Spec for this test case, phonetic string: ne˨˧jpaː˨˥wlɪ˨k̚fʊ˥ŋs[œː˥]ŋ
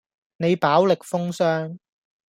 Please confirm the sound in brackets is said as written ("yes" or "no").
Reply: yes